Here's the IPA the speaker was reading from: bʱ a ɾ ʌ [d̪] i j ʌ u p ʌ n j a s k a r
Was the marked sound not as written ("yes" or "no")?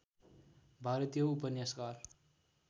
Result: yes